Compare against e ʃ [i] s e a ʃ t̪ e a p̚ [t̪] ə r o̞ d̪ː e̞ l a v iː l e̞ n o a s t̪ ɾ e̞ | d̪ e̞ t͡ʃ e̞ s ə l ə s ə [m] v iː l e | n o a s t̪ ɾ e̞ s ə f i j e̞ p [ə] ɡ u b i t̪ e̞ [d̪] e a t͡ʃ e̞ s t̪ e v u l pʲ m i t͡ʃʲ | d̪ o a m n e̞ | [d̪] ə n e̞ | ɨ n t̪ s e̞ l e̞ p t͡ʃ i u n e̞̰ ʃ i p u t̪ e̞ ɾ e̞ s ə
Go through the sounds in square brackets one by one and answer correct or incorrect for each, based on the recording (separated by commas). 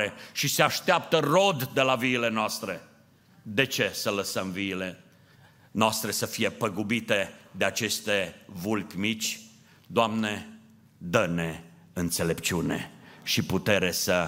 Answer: correct, correct, correct, correct, correct, correct